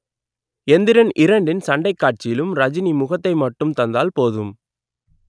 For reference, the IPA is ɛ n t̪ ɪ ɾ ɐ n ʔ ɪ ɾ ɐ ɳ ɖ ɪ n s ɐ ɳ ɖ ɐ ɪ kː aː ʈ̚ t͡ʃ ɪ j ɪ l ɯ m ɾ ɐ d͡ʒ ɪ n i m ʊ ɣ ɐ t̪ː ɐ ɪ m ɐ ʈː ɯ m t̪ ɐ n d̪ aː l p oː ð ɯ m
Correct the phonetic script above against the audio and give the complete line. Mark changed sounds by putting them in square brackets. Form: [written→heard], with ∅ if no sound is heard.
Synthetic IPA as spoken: ɛ n [t̪→d̪] ɪ ɾ ɐ n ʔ ɪ ɾ ɐ ɳ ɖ ɪ n s ɐ ɳ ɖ ɐ ɪ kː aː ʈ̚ t͡ʃ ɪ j ɪ l ɯ m ɾ ɐ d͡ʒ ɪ n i m ʊ ɣ ɐ t̪ː ɐ ɪ m ɐ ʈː ɯ m t̪ ɐ n d̪ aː l p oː ð ɯ m